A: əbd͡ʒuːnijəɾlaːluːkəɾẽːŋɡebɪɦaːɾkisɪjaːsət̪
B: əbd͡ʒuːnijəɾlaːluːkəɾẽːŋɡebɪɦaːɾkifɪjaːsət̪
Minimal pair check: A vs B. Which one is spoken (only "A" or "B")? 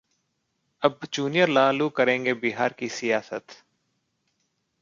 A